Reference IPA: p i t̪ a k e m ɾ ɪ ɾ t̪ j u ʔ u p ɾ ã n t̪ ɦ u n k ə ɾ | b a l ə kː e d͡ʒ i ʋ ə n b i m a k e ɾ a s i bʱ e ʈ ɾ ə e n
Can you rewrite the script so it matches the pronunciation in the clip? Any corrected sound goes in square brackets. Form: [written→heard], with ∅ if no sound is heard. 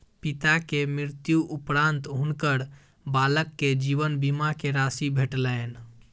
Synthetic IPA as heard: p i t̪ a k e m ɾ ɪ ɾ t̪ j u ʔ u p ɾ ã n t̪ ɦ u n k ə ɾ | b a l ə kː e d͡ʒ i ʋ ə n b i m a k e ɾ a s i bʱ e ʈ [ɾ→l] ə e n